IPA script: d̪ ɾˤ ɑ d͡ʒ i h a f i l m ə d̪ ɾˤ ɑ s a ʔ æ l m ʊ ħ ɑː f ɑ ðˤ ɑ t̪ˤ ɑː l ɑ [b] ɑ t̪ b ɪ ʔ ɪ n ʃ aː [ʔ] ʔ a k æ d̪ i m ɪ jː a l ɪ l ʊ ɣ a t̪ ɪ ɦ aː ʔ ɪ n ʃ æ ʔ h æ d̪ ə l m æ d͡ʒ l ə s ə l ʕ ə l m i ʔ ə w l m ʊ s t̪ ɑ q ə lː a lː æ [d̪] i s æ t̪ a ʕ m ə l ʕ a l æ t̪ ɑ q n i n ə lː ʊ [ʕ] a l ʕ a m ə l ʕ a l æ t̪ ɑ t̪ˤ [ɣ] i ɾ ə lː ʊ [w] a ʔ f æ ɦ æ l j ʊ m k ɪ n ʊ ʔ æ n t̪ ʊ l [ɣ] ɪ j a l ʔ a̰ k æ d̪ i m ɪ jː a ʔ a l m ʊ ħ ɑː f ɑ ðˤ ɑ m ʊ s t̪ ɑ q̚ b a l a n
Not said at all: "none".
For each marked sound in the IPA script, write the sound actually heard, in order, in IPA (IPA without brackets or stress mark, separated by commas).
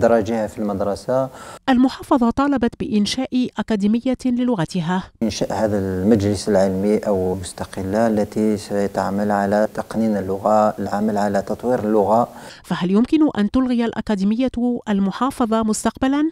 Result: b, ʔ, t̪, ɣ, w, ɣ, ɣ